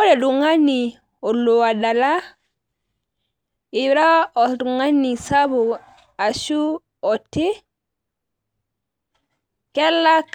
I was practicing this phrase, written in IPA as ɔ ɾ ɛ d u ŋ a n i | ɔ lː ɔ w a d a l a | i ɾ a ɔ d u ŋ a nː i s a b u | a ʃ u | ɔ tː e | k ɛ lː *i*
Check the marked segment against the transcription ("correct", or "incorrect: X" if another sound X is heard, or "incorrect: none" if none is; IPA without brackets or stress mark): incorrect: a